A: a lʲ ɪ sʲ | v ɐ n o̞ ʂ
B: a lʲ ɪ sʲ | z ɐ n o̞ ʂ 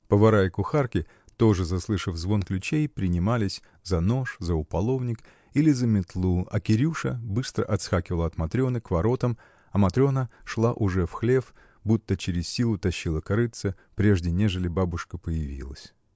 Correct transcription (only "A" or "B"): B